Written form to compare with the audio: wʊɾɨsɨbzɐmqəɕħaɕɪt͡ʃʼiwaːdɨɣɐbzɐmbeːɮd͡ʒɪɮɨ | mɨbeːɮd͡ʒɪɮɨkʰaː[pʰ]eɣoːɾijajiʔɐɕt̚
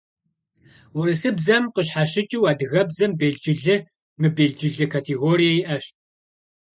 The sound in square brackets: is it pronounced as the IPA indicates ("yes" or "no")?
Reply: no